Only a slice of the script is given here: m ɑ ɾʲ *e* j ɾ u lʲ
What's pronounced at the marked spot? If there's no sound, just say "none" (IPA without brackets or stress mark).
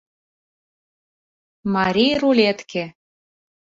i